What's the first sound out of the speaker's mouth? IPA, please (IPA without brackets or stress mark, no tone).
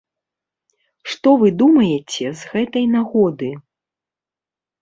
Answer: ʂ